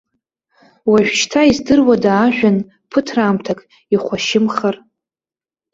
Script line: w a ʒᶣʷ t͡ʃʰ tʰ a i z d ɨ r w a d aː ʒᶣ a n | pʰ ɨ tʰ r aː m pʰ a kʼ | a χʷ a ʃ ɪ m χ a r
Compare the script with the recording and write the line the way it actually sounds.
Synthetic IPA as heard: w a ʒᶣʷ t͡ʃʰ tʰ a i z d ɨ r w a d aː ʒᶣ a n | pʰ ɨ tʰ r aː m tʰ a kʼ | i χʷ a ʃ ɪ m χ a r